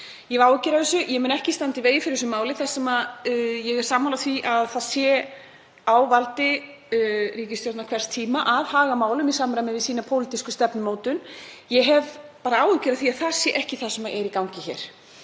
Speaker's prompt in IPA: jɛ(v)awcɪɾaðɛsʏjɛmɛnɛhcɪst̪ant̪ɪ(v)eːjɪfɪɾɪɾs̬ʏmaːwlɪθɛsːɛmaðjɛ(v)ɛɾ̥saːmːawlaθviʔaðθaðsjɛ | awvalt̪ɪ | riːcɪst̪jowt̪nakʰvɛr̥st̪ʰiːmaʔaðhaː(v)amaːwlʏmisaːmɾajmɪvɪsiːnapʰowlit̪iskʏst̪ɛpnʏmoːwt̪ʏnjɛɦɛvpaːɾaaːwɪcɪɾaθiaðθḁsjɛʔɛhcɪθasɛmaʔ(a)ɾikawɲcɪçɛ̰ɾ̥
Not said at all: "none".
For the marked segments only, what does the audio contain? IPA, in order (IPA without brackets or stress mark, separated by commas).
v, v, ɣ, ɣ, ɛ